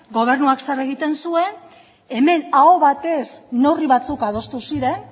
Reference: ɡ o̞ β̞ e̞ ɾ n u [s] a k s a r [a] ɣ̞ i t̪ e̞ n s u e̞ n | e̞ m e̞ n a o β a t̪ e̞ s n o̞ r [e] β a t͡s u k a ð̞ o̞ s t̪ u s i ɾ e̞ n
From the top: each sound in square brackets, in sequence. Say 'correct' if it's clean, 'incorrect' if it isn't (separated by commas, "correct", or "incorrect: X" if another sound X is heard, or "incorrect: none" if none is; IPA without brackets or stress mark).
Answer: incorrect: none, incorrect: e, incorrect: i